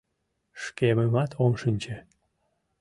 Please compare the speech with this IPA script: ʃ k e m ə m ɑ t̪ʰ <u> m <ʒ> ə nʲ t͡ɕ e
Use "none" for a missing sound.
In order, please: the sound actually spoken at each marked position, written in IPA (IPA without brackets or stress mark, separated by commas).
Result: o, ʃ